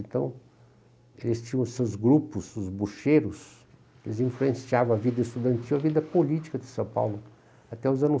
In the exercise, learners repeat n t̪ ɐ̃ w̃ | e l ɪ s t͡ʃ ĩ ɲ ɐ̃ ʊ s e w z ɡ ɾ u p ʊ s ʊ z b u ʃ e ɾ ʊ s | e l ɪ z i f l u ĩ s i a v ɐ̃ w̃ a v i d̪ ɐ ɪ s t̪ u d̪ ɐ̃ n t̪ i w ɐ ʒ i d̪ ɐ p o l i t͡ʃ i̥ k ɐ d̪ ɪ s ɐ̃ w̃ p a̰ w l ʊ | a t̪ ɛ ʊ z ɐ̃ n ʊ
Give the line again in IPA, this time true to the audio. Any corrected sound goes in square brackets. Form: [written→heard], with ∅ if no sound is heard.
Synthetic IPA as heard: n t̪ ɐ̃ w̃ | e l ɪ s t͡ʃ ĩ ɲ ɐ̃ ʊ s e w z ɡ ɾ u p ʊ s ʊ z b u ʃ e ɾ ʊ s | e l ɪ z [i→ĩ] f l u [ĩ→ẽ] s i a v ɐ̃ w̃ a v i d̪ ɐ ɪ s t̪ u d̪ ɐ̃ n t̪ i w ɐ [ʒ→v] i d̪ ɐ p o l i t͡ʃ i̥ k ɐ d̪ ɪ s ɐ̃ w̃ p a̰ w l ʊ | a t̪ ɛ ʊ z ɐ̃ n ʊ